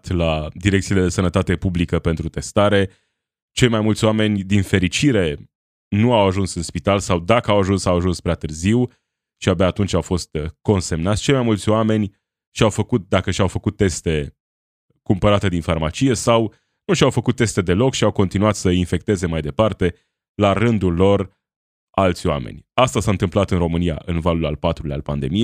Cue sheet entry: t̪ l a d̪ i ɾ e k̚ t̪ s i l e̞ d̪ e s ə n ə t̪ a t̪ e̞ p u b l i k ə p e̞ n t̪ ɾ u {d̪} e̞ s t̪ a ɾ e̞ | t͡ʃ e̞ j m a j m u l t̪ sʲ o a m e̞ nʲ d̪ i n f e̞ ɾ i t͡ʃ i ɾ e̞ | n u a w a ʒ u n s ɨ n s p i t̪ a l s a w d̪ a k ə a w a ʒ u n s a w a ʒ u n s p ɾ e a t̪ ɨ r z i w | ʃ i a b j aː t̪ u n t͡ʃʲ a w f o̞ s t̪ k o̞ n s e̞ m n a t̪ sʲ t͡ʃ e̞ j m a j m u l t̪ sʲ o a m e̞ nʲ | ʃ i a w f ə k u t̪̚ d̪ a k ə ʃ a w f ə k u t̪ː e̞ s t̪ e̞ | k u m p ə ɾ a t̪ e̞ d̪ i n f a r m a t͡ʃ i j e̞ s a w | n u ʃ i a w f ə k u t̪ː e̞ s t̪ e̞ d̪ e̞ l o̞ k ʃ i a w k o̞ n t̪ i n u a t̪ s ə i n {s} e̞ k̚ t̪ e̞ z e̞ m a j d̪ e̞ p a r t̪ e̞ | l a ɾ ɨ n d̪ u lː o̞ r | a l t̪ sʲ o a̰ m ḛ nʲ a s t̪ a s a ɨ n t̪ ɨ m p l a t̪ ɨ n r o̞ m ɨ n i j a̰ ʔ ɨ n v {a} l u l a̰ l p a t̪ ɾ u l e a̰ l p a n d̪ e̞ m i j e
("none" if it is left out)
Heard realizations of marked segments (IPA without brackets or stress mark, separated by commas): t̪, f, a